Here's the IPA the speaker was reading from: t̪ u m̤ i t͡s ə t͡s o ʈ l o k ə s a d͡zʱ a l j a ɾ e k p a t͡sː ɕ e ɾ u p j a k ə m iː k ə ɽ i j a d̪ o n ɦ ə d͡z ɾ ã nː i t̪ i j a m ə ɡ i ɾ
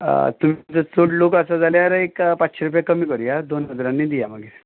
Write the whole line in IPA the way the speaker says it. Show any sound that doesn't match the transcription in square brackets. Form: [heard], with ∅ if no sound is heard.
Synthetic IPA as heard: t̪ u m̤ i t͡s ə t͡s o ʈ l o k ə s a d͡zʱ a l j a ɾ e k p a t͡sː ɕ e ɾ u p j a k ə m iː k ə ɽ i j a d̪ o n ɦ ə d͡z ɾ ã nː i [d̪] i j a m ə ɡ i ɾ